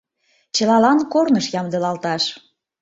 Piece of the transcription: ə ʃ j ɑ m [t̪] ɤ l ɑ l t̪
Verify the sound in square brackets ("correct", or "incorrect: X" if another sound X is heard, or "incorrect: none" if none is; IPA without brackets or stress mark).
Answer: incorrect: d̪